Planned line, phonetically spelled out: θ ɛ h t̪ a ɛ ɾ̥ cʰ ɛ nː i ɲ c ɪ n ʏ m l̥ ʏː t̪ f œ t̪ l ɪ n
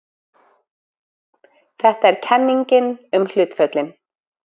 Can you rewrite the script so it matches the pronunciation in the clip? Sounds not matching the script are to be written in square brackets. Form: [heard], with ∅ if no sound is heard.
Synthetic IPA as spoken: θ ɛ h t̪ a ɛ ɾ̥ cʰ ɛ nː i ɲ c ɪ n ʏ m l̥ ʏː t̪ f œ t̪ l ɪ n